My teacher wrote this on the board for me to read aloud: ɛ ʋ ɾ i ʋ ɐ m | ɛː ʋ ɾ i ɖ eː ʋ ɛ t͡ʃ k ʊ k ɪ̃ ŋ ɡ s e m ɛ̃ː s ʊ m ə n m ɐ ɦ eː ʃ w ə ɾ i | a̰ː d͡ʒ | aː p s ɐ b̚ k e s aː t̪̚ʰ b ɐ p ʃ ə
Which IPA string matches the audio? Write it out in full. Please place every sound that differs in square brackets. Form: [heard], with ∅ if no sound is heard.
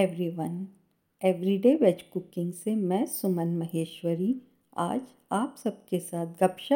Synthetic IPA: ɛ ʋ ɾ i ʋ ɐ [n] | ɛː ʋ ɾ i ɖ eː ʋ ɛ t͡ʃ k ʊ k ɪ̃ ŋ ɡ s e m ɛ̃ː s ʊ m ə n m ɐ ɦ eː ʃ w ə ɾ i | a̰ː d͡ʒ | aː p s ɐ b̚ k e s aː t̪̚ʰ [ɡ] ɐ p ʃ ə